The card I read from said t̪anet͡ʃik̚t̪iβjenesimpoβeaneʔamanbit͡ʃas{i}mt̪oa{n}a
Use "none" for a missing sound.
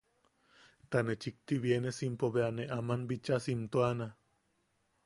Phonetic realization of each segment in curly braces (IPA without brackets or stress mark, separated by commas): i, n